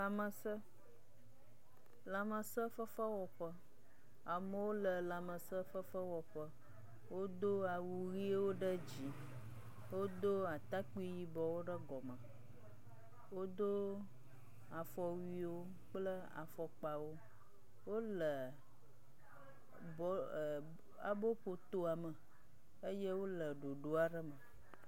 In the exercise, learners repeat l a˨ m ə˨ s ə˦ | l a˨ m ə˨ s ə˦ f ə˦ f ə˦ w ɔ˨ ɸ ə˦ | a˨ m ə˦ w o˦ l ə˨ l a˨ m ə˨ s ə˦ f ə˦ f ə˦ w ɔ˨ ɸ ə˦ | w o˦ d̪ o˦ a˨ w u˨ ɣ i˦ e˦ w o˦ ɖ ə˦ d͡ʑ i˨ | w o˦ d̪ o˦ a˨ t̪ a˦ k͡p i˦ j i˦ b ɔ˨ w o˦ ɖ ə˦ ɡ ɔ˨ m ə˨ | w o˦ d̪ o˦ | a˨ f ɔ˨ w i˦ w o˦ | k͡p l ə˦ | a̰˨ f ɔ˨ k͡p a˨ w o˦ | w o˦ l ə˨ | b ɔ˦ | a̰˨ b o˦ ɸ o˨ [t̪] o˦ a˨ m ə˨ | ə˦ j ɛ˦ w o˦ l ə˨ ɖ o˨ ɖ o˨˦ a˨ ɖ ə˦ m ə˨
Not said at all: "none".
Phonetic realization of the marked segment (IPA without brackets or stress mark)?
t̪